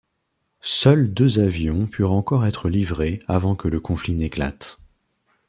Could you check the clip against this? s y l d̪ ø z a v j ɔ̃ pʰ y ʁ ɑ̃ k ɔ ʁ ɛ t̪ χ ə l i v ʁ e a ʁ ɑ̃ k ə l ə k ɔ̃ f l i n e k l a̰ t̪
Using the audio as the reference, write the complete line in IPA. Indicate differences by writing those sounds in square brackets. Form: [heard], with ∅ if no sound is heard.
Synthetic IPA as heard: s [œ] l d̪ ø z a v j ɔ̃ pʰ y ʁ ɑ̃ k ɔ ʁ ɛ t̪ χ ə l i v ʁ e a [v] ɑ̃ k ə l ə k ɔ̃ f l i n e k l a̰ t̪

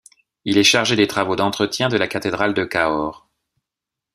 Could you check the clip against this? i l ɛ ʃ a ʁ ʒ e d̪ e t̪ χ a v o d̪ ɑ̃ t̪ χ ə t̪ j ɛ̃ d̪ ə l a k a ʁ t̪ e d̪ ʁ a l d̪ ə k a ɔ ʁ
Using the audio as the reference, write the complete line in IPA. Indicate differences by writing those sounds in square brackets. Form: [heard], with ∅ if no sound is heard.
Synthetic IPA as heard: i l ɛ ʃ a ʁ ʒ e d̪ e t̪ χ a v o d̪ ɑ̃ t̪ χ ə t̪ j ɛ̃ d̪ ə l a k a [∅] t̪ e d̪ ʁ a l d̪ ə k a ɔ ʁ

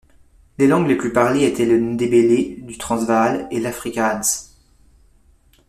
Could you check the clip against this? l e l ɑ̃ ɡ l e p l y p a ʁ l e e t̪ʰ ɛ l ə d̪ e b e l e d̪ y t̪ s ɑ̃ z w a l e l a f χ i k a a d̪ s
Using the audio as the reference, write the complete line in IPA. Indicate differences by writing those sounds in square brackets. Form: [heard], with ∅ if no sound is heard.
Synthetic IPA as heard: l e l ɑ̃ ɡ l e p l y p a ʁ l e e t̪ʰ ɛ l ə d̪ e b e l e d̪ y t̪ [χ] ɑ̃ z [v] a l e l a f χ i k a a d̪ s

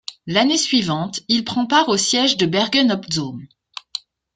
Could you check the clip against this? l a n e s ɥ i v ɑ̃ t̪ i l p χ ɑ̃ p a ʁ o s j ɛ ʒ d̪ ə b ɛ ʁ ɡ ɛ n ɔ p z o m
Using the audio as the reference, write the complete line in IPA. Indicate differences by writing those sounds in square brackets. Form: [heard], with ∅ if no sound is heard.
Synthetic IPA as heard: l a n e s ɥ i v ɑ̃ t̪ i l p χ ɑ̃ p a ʁ o s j ɛ ʒ d̪ ə b ɛ ʁ ɡ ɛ n ɔ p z o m

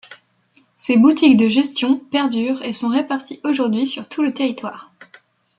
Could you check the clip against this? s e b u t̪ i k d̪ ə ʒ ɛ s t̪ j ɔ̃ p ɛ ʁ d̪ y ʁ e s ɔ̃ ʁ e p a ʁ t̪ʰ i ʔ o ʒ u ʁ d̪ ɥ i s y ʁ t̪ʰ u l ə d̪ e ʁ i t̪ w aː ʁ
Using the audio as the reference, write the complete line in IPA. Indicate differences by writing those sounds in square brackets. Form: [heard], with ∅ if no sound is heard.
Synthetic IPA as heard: s e b u t̪ i k d̪ ə ʒ ɛ s t̪ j ɔ̃ p ɛ ʁ d̪ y ʁ e s ɔ̃ ʁ e p a ʁ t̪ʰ i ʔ o ʒ u ʁ d̪ ɥ i s y ʁ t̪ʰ u l ə [t̪] e ʁ i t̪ w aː ʁ

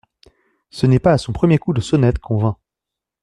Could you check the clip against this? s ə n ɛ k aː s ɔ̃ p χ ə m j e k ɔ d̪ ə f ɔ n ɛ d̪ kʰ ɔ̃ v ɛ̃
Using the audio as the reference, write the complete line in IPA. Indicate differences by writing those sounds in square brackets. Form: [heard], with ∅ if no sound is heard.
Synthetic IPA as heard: s ə n ɛ [p] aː s ɔ̃ p χ ə m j e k [u] d̪ ə [s] ɔ n ɛ [t̪] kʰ ɔ̃ v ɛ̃

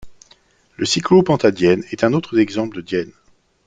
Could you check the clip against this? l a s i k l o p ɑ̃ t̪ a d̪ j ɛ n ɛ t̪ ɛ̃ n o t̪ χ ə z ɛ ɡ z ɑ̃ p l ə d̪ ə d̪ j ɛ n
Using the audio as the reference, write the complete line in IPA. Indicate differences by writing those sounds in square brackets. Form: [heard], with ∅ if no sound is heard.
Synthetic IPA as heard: l [ə] s i k l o p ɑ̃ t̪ a d̪ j ɛ n ɛ t̪ ɛ̃ n o t̪ χ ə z ɛ ɡ z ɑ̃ p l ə d̪ ə d̪ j ɛ n

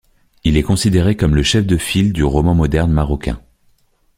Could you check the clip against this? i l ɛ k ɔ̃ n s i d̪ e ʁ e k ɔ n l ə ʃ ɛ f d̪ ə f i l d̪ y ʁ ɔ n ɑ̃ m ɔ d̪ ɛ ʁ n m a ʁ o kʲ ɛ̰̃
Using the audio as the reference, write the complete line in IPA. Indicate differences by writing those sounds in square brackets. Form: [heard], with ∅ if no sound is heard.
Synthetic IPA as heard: i l ɛ k ɔ̃ [∅] s i d̪ e ʁ e k ɔ [m] l ə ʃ ɛ f d̪ ə f i l d̪ y ʁ ɔ [m] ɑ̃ m ɔ d̪ ɛ ʁ n m a ʁ [ɔ] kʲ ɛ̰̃

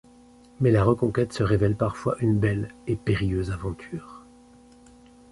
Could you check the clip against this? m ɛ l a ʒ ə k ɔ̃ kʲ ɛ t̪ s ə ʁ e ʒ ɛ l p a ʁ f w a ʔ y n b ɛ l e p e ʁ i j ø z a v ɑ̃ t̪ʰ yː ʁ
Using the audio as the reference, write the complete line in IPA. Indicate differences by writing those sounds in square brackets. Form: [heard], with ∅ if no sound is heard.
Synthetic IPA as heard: m ɛ l a [ʁ] ə k ɔ̃ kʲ ɛ t̪ s ə ʁ e [v] ɛ l p a ʁ f w a ʔ y n b ɛ l e p e ʁ i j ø z a v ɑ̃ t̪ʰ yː ʁ

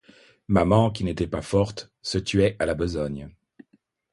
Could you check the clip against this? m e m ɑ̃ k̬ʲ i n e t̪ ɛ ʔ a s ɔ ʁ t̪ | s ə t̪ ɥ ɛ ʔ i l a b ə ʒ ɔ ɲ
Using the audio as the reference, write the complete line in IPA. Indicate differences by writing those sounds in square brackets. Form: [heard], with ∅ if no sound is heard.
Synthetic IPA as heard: m [a] m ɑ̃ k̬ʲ i n e t̪ ɛ [p] a [f] ɔ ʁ t̪ | s ə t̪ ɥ ɛ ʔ [a] l a b ə [z] ɔ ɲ

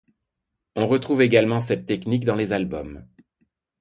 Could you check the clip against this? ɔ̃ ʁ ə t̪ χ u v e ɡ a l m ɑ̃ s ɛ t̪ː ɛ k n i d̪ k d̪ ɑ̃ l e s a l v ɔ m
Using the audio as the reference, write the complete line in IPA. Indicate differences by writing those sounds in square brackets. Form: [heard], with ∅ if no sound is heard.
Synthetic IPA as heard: ɔ̃ ʁ ə t̪ χ u v e ɡ a l m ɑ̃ s ɛ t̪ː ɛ k n i [∅] k d̪ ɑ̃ l e [z] a l [b] ɔ m

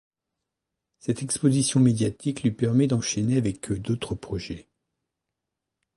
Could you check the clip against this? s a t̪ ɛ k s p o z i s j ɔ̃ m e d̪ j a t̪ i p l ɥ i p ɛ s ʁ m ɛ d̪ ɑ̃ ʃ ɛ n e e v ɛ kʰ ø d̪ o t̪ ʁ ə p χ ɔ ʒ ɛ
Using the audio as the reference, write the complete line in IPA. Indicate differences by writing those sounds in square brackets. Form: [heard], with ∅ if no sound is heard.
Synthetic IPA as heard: s [ɛ] t̪ ɛ k s p o z i s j ɔ̃ m e d̪ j a t̪ i [k] l ɥ i p ɛ [∅] ʁ m ɛ d̪ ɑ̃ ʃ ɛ n e [a] v ɛ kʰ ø d̪ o t̪ [χ] ə p χ ɔ ʒ ɛ

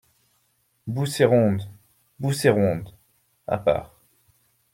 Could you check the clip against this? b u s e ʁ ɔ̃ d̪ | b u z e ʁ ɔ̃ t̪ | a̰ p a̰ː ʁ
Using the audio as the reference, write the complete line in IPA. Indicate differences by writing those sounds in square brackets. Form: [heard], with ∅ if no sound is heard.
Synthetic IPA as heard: b u s e ʁ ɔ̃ d̪ | b u [s] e ʁ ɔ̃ [d̪] | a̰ p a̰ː ʁ

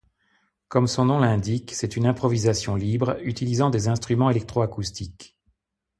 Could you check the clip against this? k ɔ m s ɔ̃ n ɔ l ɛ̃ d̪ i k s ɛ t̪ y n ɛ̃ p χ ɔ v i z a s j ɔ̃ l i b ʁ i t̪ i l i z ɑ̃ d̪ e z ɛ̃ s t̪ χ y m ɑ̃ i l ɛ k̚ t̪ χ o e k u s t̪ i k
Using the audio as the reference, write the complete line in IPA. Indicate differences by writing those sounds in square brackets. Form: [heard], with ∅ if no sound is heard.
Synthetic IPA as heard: k ɔ m s ɔ̃ n [ɔ̃] l ɛ̃ d̪ i k s ɛ t̪ y n ɛ̃ p χ ɔ v i z a s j ɔ̃ l i b ʁ [y] t̪ i l i z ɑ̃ d̪ e z ɛ̃ s t̪ χ y m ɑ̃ [e] l ɛ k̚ t̪ χ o [a] k u s t̪ i k

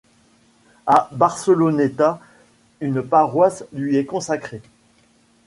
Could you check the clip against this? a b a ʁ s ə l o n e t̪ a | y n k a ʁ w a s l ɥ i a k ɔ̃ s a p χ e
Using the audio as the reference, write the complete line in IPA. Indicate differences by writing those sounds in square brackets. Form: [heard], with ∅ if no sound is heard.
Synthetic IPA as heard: a b a ʁ s ə l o n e t̪ a | y n [p] a ʁ w a s l ɥ i [ɛ] k ɔ̃ s a [k] χ e

